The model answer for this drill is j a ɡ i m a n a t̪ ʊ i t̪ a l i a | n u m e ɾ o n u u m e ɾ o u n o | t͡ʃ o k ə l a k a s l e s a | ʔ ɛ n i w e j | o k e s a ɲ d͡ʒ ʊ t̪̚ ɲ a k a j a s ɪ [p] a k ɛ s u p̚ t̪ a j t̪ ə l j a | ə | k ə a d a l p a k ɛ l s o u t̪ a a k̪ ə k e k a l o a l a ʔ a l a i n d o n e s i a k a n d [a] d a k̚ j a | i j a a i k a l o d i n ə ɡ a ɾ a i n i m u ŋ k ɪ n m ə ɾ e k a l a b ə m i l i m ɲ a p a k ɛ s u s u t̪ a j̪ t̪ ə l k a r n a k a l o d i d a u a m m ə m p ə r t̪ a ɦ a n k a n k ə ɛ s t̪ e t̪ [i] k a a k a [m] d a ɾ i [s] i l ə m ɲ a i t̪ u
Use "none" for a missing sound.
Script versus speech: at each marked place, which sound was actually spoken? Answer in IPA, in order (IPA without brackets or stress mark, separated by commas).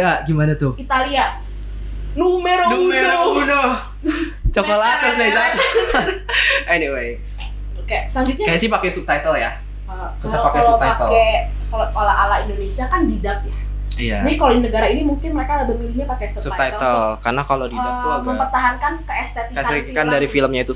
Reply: p, i, i, n, f